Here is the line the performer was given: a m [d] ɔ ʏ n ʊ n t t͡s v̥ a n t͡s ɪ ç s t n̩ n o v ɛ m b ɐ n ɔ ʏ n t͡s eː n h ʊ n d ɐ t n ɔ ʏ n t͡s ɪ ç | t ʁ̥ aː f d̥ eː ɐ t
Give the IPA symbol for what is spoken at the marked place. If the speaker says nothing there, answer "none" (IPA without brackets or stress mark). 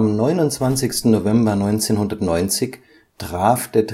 n